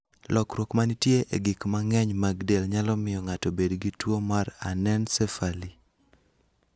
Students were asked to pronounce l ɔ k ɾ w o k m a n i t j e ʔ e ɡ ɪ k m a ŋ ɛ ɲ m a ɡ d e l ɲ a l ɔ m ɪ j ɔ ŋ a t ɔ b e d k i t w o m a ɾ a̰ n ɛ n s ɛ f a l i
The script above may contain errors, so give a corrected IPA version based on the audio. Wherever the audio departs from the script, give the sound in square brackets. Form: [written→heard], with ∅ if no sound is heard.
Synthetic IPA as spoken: l ɔ k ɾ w o k m a n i t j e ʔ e ɡ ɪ k m a ŋ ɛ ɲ m a ɡ d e l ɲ a l ɔ m ɪ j ɔ ŋ a t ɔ b e d [k→ɡ] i t w o m a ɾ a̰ n ɛ n s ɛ f a l i